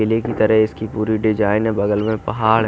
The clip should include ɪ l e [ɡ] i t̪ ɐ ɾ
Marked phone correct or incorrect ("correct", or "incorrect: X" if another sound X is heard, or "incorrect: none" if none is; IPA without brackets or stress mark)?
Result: incorrect: k